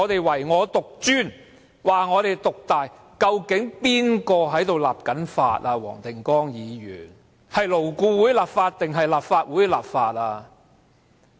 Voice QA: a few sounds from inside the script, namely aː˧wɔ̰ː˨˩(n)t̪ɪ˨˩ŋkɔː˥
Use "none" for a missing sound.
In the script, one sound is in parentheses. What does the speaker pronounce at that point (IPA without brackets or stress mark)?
ŋ